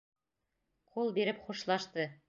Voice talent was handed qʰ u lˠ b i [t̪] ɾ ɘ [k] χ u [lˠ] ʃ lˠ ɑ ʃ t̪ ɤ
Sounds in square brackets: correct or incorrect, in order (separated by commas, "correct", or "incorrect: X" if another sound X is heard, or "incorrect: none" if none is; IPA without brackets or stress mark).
incorrect: none, incorrect: p, incorrect: none